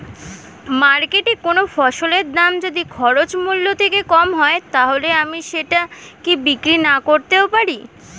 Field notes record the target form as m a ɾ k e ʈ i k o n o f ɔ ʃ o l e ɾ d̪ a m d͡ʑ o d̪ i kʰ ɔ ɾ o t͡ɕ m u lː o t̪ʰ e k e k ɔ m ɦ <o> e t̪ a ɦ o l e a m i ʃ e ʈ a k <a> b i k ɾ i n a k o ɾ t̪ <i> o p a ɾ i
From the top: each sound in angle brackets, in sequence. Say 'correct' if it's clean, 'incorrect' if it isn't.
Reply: incorrect: ɔ, incorrect: i, incorrect: e

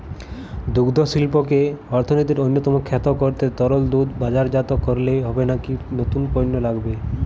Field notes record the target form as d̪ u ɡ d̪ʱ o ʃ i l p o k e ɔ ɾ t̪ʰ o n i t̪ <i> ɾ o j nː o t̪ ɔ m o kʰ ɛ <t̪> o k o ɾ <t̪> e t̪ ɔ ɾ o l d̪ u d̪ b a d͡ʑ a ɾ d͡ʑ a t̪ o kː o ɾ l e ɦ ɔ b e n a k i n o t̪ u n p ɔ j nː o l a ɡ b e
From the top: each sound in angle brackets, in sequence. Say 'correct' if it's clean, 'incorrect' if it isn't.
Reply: correct, correct, correct

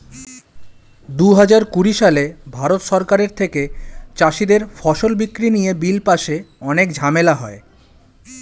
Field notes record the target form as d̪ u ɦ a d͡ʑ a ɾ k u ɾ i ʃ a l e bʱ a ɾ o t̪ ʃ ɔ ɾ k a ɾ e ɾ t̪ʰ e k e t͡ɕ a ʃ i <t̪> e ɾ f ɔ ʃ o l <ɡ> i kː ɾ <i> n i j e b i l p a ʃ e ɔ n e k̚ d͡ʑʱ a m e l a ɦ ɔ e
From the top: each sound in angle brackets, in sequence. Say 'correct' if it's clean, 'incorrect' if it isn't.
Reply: incorrect: d̪, incorrect: b, correct

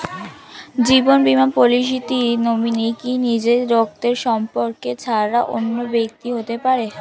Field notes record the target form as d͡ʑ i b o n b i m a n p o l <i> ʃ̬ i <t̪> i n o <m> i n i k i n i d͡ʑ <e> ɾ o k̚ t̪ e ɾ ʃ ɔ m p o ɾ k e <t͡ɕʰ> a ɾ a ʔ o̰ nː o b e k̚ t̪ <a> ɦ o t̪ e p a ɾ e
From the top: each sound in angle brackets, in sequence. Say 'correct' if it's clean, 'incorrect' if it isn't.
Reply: correct, correct, correct, correct, correct, incorrect: i

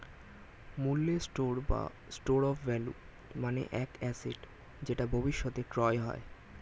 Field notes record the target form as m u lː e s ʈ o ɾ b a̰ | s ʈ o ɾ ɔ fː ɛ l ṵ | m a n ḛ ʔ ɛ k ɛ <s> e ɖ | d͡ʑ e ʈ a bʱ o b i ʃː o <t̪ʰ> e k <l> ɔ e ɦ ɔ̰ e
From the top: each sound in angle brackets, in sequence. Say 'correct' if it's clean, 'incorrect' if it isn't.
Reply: correct, incorrect: t̪, incorrect: ɾ

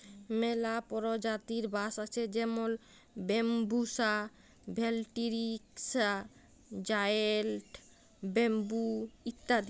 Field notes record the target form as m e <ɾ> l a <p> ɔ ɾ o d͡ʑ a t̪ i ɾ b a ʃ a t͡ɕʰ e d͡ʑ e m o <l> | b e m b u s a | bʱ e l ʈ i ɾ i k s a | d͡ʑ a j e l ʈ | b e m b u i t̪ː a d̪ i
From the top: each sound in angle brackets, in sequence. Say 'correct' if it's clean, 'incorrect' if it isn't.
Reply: incorrect: none, correct, correct

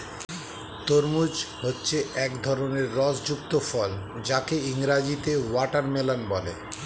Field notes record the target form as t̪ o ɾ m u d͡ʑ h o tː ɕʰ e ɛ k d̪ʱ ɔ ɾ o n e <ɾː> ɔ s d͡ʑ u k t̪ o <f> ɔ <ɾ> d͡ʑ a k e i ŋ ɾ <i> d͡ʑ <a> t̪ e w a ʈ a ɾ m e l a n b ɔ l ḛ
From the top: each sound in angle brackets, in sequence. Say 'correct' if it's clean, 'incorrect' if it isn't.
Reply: correct, correct, incorrect: l, incorrect: a, incorrect: i

